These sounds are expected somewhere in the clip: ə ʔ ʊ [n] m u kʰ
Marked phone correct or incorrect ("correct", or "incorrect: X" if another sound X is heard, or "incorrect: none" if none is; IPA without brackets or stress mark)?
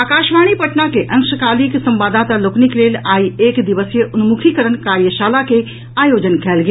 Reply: correct